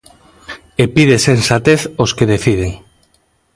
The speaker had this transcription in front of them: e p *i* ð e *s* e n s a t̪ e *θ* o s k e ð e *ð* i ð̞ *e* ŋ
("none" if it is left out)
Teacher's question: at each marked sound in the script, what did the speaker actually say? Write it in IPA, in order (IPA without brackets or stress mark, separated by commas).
i, s, θ, θ, e